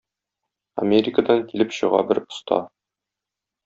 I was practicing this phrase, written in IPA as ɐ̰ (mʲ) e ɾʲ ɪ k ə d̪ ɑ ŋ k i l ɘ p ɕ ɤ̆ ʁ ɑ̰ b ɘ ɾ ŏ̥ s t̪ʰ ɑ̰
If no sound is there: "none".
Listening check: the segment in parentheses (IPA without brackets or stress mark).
mʲ